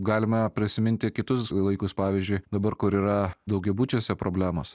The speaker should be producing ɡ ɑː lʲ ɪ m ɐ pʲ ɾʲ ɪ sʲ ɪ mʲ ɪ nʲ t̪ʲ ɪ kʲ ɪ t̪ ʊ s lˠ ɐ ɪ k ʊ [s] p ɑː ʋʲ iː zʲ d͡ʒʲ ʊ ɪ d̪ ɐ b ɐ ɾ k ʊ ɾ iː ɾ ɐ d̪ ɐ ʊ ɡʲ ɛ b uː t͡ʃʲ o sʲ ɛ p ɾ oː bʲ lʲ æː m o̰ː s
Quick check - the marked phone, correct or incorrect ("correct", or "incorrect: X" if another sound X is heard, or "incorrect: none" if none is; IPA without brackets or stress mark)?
correct